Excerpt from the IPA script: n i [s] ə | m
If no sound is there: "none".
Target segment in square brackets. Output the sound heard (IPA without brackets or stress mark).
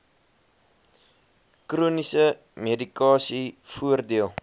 s